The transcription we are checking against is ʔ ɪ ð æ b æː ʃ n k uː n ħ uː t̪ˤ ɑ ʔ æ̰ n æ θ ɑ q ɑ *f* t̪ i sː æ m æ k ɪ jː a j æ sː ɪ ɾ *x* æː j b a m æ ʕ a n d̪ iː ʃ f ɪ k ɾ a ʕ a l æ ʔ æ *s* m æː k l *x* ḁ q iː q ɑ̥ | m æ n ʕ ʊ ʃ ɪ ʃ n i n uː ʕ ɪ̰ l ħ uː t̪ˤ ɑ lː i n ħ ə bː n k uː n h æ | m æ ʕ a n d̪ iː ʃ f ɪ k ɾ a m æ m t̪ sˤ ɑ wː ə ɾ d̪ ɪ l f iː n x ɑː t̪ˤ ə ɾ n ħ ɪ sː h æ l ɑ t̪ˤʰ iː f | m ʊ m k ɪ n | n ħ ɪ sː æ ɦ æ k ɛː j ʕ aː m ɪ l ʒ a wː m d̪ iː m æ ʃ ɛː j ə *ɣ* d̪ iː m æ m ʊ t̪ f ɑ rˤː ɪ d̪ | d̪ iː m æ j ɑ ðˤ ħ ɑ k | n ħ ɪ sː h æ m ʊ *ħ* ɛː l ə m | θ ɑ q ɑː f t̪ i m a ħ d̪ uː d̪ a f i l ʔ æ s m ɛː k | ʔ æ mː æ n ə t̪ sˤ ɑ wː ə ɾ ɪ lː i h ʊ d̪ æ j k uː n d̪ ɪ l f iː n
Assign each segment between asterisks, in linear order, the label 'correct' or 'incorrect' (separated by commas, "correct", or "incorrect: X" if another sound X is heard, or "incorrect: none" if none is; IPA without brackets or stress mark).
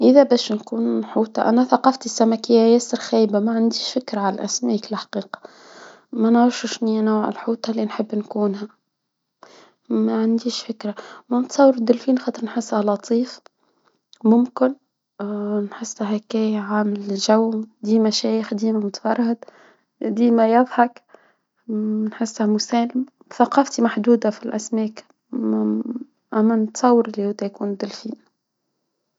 correct, correct, correct, incorrect: ħ, incorrect: x, incorrect: s